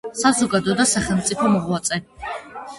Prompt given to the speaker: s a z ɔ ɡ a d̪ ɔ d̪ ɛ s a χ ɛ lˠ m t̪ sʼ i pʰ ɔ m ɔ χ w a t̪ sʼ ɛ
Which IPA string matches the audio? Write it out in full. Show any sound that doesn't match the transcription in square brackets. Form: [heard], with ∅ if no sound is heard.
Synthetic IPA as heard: s a z ɔ ɡ a d̪ ɔ d̪ [a] s a χ ɛ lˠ m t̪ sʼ i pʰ ɔ m ɔ [ʁ] w a t̪ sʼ ɛ